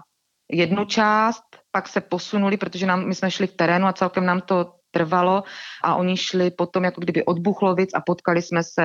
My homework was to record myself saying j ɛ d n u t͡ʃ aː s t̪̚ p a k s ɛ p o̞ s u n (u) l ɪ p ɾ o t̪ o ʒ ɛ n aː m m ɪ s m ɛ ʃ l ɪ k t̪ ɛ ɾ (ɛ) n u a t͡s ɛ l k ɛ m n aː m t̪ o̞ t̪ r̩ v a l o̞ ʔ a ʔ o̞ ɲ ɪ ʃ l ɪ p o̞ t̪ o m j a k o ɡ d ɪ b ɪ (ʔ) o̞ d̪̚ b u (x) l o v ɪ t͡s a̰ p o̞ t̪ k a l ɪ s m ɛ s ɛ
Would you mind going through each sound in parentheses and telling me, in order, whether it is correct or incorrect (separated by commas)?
correct, incorrect, correct, correct